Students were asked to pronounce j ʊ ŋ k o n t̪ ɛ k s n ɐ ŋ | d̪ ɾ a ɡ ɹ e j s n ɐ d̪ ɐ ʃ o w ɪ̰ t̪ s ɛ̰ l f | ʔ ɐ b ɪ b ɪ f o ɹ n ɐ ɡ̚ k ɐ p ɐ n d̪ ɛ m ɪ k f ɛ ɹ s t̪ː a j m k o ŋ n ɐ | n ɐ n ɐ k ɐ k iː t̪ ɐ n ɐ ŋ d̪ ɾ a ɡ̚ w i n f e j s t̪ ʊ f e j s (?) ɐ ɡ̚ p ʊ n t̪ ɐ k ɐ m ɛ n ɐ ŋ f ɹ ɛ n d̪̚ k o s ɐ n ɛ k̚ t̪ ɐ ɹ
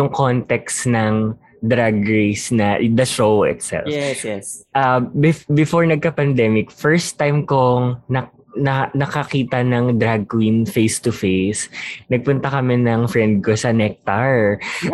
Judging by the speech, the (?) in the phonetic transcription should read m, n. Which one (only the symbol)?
n